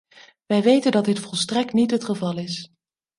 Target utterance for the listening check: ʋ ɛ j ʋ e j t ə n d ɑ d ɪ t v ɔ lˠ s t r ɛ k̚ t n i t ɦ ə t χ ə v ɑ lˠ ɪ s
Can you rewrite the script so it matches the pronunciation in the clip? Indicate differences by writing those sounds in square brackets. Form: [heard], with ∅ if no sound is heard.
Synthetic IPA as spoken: ʋ ɛ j ʋ e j t ə n d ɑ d ɪ t [f] ɔ lˠ s t r ɛ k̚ t n i t ɦ ə t χ ə v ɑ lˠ ɪ s